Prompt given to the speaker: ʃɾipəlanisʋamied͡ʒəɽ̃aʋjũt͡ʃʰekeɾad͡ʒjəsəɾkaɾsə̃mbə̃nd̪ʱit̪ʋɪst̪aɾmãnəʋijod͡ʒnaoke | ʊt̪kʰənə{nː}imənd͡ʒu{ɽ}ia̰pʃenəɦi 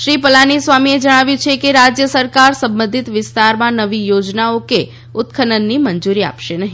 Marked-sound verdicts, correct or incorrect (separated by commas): correct, incorrect